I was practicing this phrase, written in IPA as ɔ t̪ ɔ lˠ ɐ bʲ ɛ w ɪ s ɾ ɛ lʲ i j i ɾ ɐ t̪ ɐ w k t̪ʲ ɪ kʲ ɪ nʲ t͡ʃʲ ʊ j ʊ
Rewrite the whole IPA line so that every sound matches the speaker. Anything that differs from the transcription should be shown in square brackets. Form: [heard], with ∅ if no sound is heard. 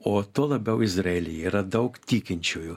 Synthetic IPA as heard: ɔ t̪ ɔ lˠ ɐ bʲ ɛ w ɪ [z] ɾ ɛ lʲ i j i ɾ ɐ [d̪] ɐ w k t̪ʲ [i] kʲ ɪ nʲ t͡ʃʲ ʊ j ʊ